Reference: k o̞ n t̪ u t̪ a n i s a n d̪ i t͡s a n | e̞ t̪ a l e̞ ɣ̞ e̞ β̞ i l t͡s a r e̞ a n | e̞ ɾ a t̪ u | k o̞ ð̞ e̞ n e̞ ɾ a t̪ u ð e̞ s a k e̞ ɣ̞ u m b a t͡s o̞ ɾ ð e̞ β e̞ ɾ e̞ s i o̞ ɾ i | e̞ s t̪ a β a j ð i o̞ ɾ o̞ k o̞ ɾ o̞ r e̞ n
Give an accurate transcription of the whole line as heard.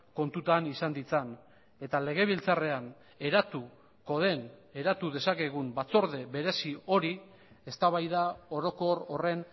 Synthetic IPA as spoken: k o̞ n t̪ u t̪ a n i s a n d̪ i t͡s a n | e̞ t̪ a l e̞ ɣ̞ e̞ β̞ i l t͡s a r e̞ a n | e̞ ɾ a t̪ u | k o̞ ð̞ e̞ n e̞ ɾ a t̪ u ð e̞ s a k e̞ ɣ̞ u m b a t͡s o̞ ɾ ð e̞ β e̞ ɾ e̞ s i o̞ ɾ i | e̞ s t̪ a β a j ð a o̞ ɾ o̞ k o̞ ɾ o̞ r e̞ n